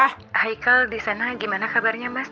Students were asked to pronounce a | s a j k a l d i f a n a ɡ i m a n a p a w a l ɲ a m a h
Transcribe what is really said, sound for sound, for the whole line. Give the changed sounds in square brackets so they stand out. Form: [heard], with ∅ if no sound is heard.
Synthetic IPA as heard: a | [h] a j k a l d i [s] a n a ɡ i m a n a [k] a [b] a [r] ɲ a m a [s]